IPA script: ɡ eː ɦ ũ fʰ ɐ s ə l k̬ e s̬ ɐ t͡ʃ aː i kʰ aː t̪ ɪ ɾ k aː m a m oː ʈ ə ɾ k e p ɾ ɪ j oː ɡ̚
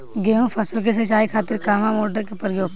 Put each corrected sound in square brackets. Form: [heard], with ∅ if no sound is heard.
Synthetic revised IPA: ɡ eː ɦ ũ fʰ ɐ s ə l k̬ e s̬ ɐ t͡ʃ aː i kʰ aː t̪ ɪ ɾ k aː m a m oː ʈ ə ɾ k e p ɾ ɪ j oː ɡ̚